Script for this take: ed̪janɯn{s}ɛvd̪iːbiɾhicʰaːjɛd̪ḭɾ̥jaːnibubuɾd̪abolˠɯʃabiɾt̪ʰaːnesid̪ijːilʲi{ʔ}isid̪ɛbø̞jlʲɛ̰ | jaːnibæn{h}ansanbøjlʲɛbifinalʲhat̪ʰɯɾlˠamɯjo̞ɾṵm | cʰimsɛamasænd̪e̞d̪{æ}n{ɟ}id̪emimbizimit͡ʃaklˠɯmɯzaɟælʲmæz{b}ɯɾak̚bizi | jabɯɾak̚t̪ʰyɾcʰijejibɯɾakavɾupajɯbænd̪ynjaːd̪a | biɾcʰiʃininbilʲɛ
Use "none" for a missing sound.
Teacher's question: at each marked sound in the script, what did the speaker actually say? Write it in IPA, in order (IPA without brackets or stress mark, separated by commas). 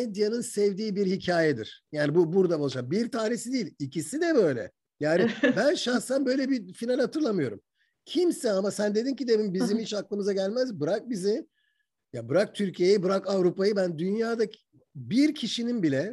s, c, ʃ, i, c, b